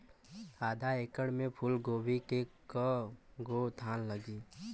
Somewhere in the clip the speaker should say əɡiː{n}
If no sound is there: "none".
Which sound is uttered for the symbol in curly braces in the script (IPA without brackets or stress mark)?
none